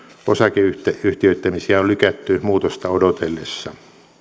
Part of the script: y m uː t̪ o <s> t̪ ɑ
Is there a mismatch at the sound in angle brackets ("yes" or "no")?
no